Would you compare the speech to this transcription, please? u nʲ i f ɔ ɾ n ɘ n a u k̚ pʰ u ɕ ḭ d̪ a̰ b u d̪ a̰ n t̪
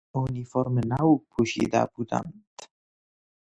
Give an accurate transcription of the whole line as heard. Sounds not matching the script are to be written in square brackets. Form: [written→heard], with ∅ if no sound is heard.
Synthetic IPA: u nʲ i f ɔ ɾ [n→m] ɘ n a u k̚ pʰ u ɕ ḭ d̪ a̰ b u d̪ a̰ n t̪